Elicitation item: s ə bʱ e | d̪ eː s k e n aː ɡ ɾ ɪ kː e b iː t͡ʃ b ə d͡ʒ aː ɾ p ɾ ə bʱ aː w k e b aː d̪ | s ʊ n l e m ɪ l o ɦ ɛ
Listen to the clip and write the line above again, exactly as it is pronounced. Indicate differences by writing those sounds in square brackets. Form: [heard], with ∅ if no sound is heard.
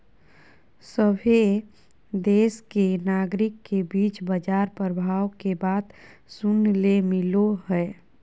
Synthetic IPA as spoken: s ə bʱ e | d̪ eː s k e n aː ɡ ɾ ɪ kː e b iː t͡ʃ b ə d͡ʒ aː ɾ p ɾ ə bʱ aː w k e b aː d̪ | s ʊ n l e m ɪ l o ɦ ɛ